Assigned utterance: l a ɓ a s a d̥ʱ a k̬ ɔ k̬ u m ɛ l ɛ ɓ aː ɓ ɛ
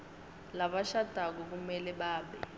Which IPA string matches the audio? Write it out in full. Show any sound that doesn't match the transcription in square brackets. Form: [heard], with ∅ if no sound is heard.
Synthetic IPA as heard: l a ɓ a [ʃ] a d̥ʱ a k̬ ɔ k̬ u m ɛ l ɛ ɓ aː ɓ ɛ